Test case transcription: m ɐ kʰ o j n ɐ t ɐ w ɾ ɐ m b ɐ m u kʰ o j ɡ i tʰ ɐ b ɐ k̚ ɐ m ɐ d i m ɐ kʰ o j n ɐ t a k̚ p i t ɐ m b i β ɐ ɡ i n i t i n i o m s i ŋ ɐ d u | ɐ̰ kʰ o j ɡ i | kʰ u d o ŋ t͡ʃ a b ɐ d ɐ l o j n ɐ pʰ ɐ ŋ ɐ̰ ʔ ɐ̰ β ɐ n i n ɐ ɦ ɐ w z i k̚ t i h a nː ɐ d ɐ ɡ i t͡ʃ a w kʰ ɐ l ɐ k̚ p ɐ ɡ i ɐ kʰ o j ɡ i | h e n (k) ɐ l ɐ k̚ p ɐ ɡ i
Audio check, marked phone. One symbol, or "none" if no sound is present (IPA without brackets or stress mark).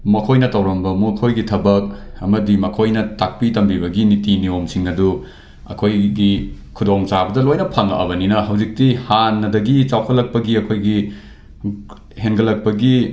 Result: ɡ